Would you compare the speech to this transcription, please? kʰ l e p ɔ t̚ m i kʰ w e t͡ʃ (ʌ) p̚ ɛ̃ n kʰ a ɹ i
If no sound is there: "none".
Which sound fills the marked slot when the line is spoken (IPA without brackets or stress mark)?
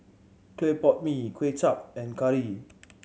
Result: a